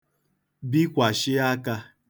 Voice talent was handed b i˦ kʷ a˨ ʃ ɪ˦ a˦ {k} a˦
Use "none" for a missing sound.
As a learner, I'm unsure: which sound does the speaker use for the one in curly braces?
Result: k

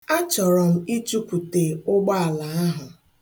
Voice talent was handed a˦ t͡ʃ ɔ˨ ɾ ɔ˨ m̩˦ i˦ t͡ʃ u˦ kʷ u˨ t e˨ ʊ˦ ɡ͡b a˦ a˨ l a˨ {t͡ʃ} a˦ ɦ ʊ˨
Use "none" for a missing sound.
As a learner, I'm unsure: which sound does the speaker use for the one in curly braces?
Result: none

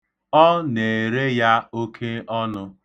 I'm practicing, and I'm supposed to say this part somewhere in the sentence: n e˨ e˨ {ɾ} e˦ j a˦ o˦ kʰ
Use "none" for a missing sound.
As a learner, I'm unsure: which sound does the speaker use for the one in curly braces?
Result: ɾ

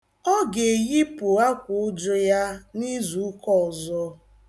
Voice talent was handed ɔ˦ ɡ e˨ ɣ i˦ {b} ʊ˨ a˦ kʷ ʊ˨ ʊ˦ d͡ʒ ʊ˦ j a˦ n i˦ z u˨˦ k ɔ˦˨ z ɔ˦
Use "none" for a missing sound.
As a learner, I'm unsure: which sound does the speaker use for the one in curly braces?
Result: p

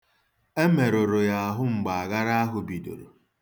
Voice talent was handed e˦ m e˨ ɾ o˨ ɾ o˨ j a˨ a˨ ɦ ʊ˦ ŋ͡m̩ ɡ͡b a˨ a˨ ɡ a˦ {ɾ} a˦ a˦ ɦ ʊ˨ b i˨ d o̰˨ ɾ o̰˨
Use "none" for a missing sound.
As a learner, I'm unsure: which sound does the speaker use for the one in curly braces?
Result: ɾ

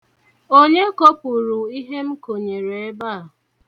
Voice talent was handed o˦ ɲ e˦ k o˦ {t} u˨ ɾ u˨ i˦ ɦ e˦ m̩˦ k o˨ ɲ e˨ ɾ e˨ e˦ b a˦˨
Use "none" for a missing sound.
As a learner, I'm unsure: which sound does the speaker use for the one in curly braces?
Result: p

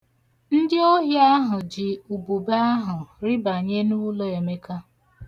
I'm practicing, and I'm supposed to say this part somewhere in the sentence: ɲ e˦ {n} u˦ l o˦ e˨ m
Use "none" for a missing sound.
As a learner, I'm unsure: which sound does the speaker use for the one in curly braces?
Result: n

